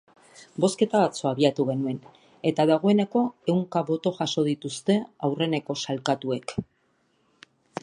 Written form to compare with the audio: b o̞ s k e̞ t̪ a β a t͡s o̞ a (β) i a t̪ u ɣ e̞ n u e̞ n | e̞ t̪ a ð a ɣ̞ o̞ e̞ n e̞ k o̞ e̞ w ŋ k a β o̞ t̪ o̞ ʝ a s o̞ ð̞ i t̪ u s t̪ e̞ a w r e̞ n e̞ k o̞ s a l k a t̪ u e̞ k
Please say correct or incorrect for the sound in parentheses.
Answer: correct